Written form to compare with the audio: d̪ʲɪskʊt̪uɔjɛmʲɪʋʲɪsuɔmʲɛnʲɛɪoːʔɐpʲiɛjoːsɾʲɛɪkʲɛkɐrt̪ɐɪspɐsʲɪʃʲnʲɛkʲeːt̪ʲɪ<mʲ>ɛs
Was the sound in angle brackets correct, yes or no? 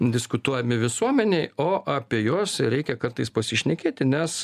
no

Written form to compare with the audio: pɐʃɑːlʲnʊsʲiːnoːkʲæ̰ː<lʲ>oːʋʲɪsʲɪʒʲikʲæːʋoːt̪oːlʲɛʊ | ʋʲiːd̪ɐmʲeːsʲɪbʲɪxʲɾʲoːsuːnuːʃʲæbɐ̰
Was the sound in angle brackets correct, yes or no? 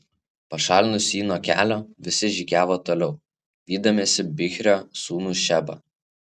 yes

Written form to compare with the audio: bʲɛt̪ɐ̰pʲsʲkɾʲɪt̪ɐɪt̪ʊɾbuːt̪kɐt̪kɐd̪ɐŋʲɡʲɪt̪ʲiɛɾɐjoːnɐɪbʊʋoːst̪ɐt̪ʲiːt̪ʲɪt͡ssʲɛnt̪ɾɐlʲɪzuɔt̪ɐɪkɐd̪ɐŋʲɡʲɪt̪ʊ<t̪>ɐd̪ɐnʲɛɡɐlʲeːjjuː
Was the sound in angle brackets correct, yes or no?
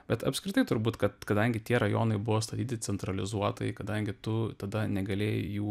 yes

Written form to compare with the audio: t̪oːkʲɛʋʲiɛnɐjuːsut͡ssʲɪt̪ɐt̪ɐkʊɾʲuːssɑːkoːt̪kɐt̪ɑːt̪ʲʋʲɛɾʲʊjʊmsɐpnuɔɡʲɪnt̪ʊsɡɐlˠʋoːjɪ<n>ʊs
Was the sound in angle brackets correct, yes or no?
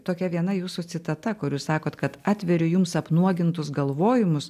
no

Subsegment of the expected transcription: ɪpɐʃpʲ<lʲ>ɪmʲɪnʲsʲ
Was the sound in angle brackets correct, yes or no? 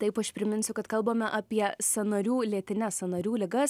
no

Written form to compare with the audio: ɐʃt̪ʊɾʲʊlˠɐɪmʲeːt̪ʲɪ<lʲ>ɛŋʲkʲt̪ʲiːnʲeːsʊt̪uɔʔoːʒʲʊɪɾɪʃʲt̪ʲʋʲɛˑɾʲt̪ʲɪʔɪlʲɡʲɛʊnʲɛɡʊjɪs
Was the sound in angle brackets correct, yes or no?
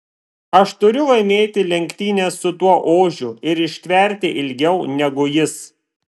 yes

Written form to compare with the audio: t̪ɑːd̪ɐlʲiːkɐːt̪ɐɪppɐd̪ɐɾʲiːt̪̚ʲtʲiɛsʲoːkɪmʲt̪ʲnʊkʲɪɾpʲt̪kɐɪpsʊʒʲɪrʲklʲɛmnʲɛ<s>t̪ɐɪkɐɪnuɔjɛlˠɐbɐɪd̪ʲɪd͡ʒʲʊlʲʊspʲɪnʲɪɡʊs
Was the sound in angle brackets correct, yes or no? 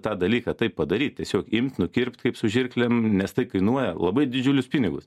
yes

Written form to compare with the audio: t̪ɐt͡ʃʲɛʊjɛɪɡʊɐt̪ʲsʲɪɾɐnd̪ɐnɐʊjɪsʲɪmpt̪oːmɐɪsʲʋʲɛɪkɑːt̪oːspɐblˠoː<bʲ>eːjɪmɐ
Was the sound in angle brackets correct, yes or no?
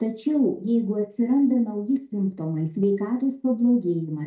no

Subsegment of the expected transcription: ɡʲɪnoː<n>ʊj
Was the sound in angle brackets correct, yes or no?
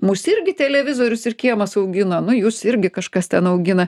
yes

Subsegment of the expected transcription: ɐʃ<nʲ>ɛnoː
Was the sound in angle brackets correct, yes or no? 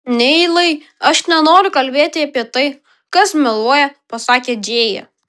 yes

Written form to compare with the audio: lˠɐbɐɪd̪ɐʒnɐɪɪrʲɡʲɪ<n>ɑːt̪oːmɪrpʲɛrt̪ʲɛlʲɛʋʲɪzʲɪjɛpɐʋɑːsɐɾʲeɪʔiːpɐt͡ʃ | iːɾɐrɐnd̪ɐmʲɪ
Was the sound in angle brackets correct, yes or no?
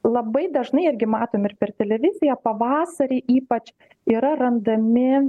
no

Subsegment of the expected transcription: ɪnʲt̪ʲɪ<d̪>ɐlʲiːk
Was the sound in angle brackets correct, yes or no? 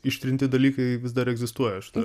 yes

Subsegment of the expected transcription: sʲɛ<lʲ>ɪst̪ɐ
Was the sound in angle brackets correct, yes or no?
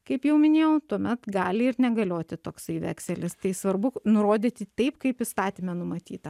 yes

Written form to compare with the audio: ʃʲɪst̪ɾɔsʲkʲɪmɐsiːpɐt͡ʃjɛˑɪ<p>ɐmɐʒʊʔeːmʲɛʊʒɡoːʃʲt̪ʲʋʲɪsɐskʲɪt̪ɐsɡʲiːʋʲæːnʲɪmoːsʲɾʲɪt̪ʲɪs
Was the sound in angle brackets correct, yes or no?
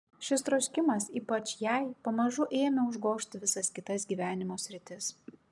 yes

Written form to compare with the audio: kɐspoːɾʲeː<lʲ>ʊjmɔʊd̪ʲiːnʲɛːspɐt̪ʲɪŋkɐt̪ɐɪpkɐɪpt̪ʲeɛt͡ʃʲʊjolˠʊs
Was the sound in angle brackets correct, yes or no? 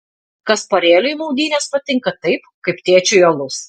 yes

